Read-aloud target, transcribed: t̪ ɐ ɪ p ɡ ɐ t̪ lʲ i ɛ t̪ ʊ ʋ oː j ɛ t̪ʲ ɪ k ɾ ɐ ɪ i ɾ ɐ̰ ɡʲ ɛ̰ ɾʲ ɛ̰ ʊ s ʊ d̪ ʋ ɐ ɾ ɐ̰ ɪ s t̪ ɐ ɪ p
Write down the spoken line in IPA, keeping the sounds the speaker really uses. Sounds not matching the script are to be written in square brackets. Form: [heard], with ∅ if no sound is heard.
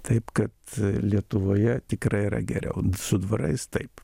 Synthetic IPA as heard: t̪ ɐ ɪ p [k] ɐ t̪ lʲ i ɛ t̪ ʊ ʋ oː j ɛ t̪ʲ ɪ k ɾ ɐ ɪ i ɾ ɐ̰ ɡʲ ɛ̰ ɾʲ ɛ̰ ʊ s ʊ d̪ ʋ ɐ ɾ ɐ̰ ɪ s t̪ ɐ ɪ p